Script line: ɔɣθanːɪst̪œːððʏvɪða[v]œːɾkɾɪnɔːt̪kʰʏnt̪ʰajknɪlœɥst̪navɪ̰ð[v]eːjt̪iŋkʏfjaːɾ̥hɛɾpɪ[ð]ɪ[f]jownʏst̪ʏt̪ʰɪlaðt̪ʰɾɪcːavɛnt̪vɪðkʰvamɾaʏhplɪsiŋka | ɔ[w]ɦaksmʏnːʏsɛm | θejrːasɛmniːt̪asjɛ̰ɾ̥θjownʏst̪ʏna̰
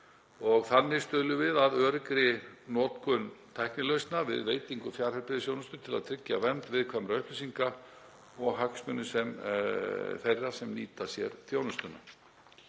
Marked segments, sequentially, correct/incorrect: incorrect, correct, correct, incorrect, incorrect

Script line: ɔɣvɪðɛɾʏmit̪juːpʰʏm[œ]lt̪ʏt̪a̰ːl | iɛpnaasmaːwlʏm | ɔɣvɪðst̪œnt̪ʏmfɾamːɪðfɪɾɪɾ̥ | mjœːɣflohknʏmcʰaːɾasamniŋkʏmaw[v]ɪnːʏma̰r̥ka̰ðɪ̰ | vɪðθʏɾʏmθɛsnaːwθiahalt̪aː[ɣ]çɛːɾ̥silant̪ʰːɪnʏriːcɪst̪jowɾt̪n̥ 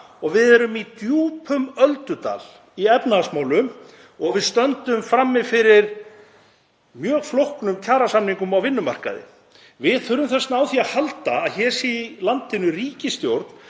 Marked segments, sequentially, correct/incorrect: correct, correct, incorrect

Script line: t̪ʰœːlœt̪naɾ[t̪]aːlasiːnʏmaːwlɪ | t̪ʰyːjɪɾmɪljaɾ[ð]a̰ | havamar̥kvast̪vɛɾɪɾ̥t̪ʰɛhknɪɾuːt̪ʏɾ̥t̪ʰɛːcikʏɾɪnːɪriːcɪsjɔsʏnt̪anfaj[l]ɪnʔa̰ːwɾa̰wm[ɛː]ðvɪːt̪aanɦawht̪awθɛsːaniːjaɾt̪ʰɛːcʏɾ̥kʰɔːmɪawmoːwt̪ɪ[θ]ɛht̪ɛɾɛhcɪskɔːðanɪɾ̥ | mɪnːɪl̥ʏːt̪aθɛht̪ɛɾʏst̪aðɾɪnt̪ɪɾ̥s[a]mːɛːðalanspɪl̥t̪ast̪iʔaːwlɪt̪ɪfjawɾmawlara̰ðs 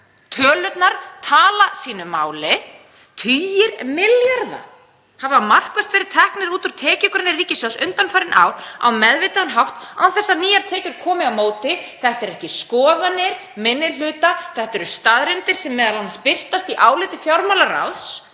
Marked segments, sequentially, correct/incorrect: incorrect, correct, incorrect, incorrect, correct, incorrect

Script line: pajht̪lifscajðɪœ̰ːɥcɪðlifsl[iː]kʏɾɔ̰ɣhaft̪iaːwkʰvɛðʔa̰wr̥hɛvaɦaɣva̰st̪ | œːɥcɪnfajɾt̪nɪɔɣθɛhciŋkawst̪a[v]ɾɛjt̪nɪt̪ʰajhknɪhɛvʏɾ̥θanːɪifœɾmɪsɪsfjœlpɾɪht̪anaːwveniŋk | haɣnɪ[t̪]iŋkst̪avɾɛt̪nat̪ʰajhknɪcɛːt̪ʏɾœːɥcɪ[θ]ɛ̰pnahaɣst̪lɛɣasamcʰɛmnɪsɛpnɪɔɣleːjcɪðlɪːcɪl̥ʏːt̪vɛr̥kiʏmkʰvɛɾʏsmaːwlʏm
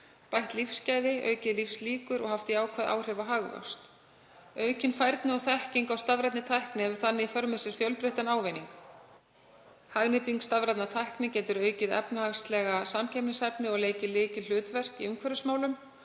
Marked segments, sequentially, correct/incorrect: correct, correct, correct, incorrect

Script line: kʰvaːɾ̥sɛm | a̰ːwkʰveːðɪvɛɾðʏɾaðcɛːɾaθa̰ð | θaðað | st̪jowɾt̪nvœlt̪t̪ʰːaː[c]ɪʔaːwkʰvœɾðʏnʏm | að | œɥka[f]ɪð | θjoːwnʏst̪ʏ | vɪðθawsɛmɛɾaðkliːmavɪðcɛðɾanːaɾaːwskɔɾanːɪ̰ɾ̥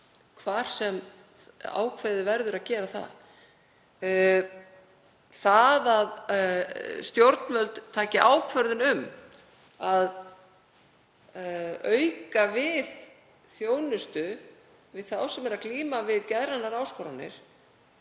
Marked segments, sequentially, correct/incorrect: correct, incorrect

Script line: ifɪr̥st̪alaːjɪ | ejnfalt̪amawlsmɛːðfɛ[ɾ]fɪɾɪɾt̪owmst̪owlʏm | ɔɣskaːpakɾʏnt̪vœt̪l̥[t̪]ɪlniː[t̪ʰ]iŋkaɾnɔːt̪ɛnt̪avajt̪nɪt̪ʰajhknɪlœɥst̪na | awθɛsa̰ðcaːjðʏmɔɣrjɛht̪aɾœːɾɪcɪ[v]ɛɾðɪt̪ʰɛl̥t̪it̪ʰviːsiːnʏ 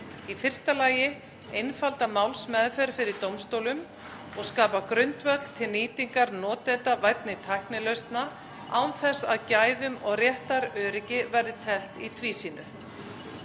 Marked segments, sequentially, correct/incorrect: correct, incorrect, incorrect, correct

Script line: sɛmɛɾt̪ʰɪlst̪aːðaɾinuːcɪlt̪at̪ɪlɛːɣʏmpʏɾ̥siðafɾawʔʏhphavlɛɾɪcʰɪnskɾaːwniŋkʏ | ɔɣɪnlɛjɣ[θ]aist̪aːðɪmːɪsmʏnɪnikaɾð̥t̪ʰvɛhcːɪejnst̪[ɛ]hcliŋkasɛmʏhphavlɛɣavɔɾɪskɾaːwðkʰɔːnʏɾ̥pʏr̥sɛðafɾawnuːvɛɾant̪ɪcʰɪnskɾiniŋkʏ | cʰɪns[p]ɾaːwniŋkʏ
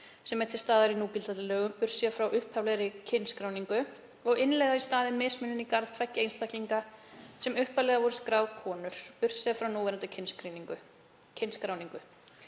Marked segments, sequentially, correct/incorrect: incorrect, incorrect, incorrect

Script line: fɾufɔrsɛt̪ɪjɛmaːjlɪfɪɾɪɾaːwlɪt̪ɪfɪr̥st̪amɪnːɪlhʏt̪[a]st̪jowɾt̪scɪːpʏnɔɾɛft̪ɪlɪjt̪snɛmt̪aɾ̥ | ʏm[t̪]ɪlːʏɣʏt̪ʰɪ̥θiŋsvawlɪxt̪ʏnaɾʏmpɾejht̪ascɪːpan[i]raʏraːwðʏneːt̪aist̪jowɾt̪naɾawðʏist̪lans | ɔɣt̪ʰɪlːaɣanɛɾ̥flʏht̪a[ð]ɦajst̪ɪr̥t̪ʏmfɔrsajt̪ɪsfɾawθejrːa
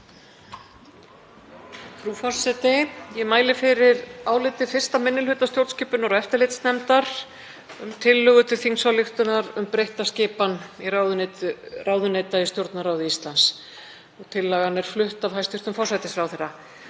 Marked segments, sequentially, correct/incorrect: correct, incorrect, correct, incorrect

